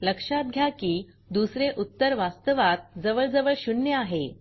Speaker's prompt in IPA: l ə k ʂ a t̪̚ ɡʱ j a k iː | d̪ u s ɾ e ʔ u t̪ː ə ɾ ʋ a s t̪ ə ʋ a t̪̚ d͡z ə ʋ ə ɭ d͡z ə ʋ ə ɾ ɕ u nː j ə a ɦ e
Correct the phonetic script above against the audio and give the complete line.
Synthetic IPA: l ə k ʂ a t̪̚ ɡʱ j a k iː | d̪ u s ɾ e ʔ u t̪ː ə ɾ ʋ a s t̪ ə ʋ a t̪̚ d͡z ə ʋ ə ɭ d͡z ə ʋ ə ɭ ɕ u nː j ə a ɦ e

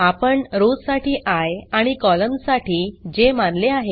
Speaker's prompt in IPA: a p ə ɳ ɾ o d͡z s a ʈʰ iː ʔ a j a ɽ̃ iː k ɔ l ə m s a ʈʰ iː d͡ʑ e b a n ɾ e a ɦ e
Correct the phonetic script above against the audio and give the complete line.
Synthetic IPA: a p ə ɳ ɾ o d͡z s a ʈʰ iː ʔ a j a ɽ̃ i k ɔ l ə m s a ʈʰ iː d͡ʑ e m a n l e a ɦ e

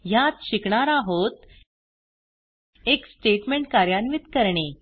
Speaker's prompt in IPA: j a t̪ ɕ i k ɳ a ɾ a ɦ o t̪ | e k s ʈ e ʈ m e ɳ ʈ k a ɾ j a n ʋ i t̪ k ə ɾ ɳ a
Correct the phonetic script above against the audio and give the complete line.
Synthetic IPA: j a t̪ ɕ i k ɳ a ɾ a ɦ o t̪ | e k s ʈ e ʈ m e ɳ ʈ k a ɾ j a n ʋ i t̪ k ə ɾ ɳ e

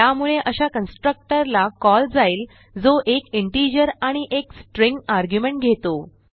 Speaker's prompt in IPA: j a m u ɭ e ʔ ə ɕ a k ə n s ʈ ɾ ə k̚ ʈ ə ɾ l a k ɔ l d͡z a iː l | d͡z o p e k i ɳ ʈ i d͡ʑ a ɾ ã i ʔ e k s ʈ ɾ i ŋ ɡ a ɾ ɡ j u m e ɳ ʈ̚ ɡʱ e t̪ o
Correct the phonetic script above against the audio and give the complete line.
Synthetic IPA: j a m u ɭ e ʔ ə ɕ a k ə n s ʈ ɾ ə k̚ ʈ ə ɾ l a k ɔ l d͡z a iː l | d͡z o ʔ e k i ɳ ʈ i d͡ʑ ə ɾ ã i ʔ e k s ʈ ɾ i ŋ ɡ a ɾ ɡ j u m e ɳ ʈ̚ ɡʱ e t̪ o

